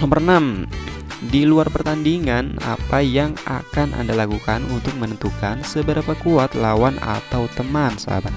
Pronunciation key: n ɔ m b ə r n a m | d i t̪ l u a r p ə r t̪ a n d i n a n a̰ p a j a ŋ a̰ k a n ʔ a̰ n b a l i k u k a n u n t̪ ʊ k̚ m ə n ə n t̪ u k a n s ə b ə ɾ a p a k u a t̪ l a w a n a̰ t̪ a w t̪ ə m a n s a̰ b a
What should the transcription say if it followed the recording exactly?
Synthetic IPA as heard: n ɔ m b ə r n a m | d i l u a r p ə r t̪ a n d i ŋ a n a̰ p a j a ŋ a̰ k a n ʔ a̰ n d a l a k u k a n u n t̪ ʊ k̚ m ə n ə n t̪ u k a n s ə b ə ɾ a p a k u a t̪ l a w a n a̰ t̪ a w t̪ ə m a n s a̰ b a